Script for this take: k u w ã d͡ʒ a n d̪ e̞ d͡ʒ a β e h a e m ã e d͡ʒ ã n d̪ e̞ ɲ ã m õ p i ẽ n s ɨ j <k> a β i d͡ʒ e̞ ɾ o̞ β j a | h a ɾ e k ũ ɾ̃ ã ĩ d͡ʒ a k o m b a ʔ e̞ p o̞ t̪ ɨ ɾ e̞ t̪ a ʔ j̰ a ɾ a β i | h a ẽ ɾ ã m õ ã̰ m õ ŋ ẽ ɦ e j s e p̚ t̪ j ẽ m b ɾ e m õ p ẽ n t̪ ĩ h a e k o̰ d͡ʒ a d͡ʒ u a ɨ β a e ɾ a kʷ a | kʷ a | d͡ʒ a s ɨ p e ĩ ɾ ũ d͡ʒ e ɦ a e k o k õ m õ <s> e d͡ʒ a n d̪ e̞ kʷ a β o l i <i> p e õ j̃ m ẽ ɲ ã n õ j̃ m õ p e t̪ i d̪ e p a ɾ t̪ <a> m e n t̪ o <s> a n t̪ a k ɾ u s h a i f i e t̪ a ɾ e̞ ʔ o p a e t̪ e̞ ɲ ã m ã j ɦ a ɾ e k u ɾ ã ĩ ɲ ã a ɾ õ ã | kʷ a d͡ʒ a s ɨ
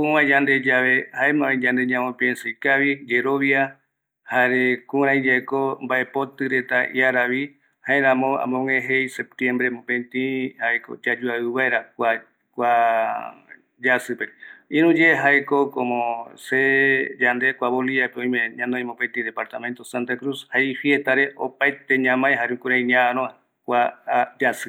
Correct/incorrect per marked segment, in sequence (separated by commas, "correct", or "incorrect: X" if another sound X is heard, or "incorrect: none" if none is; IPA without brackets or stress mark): correct, correct, incorrect: a, correct, correct